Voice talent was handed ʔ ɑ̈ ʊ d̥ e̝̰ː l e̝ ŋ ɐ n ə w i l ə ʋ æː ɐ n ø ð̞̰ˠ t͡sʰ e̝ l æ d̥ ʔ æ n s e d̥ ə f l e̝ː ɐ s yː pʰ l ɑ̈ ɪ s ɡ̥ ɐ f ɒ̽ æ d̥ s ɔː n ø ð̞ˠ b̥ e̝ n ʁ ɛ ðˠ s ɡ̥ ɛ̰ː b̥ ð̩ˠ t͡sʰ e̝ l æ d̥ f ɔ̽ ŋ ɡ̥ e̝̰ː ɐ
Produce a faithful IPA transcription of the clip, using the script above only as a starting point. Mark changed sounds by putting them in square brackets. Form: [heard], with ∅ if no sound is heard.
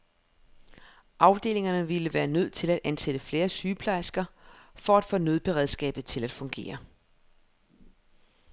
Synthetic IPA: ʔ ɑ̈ ʊ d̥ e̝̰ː l e̝ ŋ ɐ n ə [ʋ] i l ə ʋ æː ɐ n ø ð̞̰ˠ t͡sʰ e̝ l æ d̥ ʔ æ n s e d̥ ə f l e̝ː ɐ s yː pʰ l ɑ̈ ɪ s ɡ̥ ɐ f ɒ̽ æ d̥ [f] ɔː n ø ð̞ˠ b̥ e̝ [∅] ʁ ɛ ðˠ s ɡ̥ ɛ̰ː b̥ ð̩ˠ t͡sʰ e̝ l æ d̥ f ɔ̽ ŋ ɡ̥ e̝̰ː ɐ